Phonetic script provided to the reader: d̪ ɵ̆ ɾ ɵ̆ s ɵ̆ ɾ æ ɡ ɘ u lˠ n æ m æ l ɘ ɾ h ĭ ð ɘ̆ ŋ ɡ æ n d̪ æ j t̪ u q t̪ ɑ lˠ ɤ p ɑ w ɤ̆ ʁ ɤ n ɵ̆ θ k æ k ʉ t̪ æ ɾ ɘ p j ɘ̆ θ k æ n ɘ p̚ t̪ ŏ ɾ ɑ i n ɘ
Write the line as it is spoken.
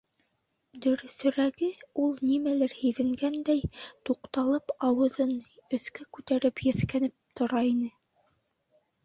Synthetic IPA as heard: d̪ ɵ̆ ɾ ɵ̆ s ɵ̆ ɾ æ ɡ ɘ u lˠ n i m æ l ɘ ɾ h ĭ ð ɘ̆ ŋ ɡ æ n d̪ æ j t̪ u q t̪ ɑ lˠ ɤ p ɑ w ɤ̆ ð ɤ n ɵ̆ θ k æ k ʉ t̪ æ ɾ ɘ p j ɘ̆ θ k æ n ɘ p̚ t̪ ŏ ɾ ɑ i n ɘ